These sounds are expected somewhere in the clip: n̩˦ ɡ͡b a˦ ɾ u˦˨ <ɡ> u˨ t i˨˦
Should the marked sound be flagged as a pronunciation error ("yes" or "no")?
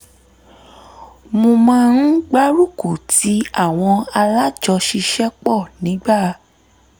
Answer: yes